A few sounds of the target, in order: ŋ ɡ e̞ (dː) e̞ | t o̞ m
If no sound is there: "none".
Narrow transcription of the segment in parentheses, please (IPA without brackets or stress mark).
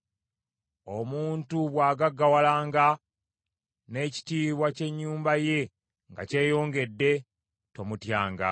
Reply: dː